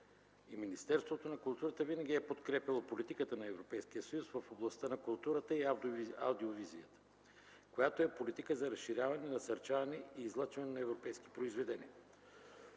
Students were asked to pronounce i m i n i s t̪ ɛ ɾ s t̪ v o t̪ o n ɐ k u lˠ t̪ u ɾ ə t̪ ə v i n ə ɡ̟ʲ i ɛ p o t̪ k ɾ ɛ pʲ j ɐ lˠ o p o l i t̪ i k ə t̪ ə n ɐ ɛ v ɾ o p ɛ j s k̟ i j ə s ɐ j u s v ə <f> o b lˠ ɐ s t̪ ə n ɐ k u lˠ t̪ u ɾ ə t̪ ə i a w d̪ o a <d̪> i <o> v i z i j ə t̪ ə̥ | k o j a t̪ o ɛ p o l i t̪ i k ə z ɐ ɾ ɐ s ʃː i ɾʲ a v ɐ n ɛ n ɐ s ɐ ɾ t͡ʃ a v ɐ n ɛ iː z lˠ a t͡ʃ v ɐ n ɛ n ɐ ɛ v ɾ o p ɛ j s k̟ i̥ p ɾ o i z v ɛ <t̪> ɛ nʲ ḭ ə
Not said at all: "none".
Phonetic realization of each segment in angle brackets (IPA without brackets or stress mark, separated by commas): f, d̪, o, d̪